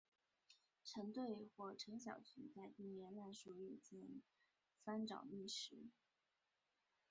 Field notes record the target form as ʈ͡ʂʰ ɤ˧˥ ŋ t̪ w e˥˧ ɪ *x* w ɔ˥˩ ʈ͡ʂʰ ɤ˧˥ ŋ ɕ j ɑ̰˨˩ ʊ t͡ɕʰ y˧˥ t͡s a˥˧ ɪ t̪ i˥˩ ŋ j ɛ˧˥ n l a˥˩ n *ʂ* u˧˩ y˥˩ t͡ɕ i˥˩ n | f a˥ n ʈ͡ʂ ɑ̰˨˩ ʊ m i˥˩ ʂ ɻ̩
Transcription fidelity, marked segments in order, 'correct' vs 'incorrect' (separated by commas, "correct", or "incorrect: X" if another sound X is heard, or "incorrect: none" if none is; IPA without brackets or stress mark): correct, correct